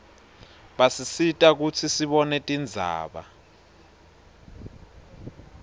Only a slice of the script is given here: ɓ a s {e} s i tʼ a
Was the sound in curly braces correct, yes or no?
no